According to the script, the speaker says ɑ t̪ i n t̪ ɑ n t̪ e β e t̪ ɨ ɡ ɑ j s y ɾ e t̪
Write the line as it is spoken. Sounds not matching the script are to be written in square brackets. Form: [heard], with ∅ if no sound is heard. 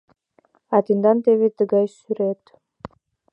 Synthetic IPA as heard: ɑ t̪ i n [d̪] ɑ n t̪ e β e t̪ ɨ ɡ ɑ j s y ɾ e t̪